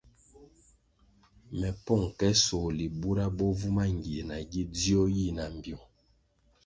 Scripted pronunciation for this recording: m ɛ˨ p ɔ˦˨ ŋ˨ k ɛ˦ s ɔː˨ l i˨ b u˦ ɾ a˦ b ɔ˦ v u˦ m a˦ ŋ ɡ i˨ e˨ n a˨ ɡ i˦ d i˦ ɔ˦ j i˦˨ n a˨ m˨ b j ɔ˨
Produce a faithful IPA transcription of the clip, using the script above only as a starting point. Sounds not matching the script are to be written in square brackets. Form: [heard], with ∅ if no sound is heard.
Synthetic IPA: m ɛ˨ p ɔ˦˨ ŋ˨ k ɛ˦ s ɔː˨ l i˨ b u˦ ɾ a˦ b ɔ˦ v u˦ m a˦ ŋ ɡ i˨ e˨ n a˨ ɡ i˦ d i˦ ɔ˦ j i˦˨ n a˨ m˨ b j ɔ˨